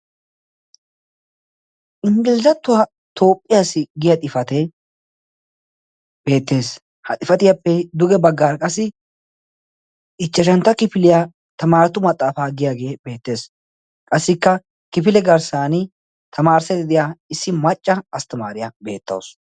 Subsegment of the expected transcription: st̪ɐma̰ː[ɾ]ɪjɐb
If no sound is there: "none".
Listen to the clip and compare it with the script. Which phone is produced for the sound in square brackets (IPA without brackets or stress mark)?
ɾ